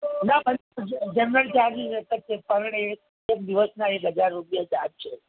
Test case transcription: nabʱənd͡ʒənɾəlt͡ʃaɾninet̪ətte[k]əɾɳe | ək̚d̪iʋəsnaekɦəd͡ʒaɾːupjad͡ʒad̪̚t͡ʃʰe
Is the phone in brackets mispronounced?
yes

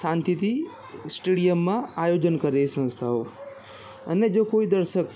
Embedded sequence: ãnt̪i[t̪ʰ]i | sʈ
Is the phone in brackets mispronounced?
yes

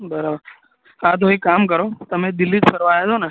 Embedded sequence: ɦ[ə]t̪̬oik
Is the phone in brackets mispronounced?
yes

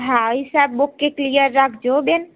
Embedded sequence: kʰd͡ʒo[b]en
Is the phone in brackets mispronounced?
no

